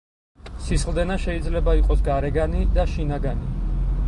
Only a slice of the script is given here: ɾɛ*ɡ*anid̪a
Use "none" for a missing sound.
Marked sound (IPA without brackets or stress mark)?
ɡ